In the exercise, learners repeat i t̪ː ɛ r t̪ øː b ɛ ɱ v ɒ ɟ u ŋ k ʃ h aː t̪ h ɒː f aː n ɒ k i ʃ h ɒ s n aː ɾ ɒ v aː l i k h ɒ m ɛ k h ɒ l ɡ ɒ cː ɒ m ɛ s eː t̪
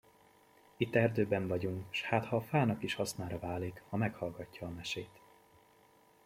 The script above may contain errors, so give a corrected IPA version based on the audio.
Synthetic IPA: i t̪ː ɛ r d̪ øː b ɛ ɱ v ɒ ɟ u ŋ k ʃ h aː t̪ h ɒː f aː n ɒ k i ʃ h ɒ s n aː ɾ ɒ v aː l i k h ɒ m ɛ k h ɒ l ɡ ɒ cː ɒː m ɛ ʃ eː t̪